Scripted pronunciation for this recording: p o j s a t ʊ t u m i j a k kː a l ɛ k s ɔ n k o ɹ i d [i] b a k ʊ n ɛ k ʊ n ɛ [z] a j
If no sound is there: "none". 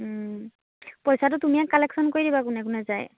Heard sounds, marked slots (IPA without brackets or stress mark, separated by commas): i, z